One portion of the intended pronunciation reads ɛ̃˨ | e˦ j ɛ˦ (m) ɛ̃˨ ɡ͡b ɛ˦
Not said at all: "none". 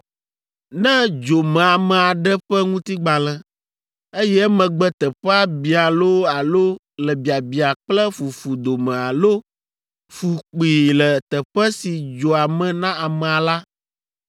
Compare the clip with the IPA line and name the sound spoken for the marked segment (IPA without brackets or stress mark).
m